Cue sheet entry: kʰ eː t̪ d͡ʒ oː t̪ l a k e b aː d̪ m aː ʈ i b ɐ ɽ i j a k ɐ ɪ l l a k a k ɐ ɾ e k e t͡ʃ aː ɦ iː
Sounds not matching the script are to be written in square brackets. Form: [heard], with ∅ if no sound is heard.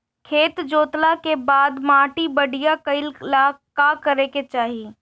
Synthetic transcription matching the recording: kʰ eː t̪ d͡ʒ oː t̪ l a k e b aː d̪ m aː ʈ i b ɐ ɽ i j a k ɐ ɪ l l a k a k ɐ ɾ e k e t͡ʃ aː ɦ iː

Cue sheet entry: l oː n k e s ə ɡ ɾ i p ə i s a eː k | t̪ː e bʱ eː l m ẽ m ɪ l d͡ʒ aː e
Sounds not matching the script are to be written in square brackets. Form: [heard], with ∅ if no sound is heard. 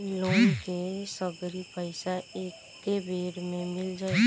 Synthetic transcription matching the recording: l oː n k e s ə ɡ ɾ i p ə [ɪ] s a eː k | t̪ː e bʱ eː [ɾ] m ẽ m ɪ l d͡ʒ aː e

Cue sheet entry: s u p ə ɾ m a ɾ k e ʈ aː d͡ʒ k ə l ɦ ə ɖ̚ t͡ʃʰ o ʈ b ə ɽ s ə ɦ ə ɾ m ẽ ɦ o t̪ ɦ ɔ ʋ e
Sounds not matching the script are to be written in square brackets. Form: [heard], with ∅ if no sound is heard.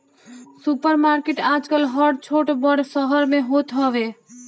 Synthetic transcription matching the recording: s u p ə ɾ m a ɾ k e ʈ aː d͡ʒ k ə l ɦ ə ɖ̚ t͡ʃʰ o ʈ b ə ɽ s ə ɦ ə ɾ m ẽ ɦ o t̪ ɦ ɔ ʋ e

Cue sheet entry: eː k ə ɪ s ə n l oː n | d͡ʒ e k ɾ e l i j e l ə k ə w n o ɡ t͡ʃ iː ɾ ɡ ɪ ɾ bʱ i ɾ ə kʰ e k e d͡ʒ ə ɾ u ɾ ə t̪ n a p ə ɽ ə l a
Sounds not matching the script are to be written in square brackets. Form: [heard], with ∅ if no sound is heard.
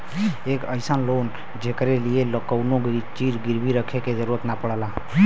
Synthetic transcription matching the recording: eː k ə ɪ s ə n l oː n | d͡ʒ e k ɾ e l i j e l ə k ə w n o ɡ t͡ʃ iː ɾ ɡ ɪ ɾ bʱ i ɾ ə kʰ e k e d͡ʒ ə ɾ u ɾ ə t̪ n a p ə ɽ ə l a

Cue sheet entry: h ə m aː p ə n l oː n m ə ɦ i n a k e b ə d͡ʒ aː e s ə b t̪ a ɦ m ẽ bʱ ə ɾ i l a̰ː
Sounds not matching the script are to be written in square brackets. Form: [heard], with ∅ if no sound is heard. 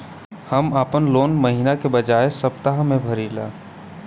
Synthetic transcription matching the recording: h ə m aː p ə n l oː n m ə ɦ i n a k e b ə d͡ʒ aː e s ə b t̪ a ɦ m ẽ bʱ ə ɾ i l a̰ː

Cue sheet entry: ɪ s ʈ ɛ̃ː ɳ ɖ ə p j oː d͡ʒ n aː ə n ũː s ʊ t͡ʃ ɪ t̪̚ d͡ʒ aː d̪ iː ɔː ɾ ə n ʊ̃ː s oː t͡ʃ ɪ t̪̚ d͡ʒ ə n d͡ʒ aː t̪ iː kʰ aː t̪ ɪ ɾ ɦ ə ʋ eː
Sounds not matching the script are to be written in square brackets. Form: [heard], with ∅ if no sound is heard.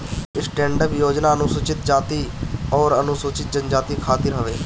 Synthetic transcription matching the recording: ɪ s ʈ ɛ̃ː ɳ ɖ ə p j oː d͡ʒ n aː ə n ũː s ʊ t͡ʃ ɪ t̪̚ d͡ʒ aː [t̪] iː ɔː ɾ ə n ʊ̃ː s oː t͡ʃ ɪ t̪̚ d͡ʒ ə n d͡ʒ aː t̪ iː kʰ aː t̪ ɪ ɾ ɦ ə ʋ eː

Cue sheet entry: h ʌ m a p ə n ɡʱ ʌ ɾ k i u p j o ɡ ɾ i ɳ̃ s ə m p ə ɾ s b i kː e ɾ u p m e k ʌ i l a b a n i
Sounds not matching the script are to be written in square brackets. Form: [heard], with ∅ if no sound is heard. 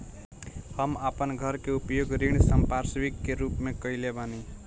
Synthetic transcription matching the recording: h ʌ m a p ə n ɡʱ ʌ ɾ k [e] u p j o ɡ ɾ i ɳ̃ s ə m p [a] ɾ s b i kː e ɾ u p m e k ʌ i l [e] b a n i

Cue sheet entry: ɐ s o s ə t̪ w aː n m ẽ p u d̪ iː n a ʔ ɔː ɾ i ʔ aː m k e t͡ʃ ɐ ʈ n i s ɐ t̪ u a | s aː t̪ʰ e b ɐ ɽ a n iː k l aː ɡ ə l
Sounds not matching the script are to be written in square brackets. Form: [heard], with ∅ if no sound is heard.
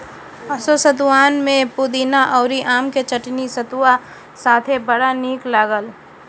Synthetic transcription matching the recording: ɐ s o s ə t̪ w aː n m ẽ p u d̪ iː n a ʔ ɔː ɾ i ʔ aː m k e t͡ʃ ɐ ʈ n i s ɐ t̪ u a | s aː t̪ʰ e b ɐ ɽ a n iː k l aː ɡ ə l

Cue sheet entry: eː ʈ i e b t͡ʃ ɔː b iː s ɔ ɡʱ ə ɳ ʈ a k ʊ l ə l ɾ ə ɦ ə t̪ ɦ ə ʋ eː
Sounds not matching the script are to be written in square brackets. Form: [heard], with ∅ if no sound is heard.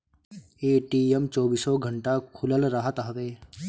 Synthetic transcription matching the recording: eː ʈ i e [m] t͡ʃ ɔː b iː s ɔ ɡʱ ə ɳ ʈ a [kʰ] ʊ l ə l ɾ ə ɦ ə t̪ ɦ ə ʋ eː

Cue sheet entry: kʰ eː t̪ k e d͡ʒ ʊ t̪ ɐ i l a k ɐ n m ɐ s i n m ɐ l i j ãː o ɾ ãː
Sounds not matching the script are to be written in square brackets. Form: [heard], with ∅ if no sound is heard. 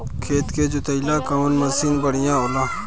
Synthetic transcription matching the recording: kʰ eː t̪ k e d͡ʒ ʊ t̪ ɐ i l a k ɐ n m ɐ s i n [b] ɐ [ɽ] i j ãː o [l] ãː

